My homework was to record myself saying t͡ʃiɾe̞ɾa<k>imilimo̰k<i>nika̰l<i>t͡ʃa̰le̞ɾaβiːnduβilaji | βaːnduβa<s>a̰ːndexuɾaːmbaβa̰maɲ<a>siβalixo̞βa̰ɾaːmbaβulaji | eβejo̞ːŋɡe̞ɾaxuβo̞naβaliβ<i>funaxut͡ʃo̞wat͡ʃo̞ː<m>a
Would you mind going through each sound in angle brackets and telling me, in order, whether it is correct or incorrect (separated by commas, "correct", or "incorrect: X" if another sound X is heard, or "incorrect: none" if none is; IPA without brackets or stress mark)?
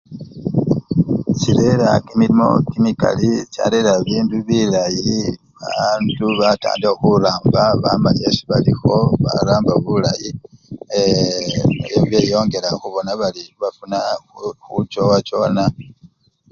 correct, correct, correct, incorrect: t, incorrect: e, incorrect: a, incorrect: n